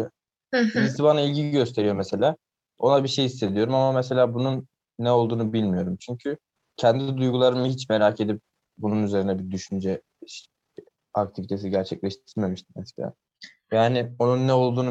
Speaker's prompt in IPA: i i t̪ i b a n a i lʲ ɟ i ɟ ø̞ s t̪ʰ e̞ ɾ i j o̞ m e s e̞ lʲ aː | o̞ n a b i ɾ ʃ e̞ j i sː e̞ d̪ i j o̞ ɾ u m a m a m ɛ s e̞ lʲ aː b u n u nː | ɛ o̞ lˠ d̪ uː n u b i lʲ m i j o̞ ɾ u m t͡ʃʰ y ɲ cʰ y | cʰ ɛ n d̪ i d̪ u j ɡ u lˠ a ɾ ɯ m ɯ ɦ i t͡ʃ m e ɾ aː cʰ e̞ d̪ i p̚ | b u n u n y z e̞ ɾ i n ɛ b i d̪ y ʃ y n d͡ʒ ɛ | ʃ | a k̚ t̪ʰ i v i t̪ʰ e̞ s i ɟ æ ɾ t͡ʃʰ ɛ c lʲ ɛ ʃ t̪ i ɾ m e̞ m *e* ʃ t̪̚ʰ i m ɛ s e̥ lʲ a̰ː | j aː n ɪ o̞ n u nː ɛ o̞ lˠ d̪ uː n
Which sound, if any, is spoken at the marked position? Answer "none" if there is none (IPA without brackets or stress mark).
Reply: i